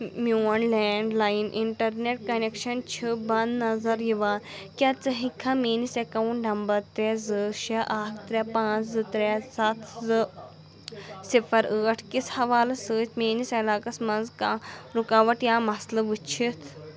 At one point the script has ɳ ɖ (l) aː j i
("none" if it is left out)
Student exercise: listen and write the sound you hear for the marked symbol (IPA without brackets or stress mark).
l